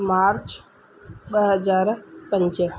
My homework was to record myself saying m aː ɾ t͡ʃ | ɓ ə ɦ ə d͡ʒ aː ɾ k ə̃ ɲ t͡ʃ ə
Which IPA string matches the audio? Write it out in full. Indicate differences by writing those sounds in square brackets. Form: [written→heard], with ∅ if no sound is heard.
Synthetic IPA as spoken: m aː ɾ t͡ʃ | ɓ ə ɦ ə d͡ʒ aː ɾ [k→p] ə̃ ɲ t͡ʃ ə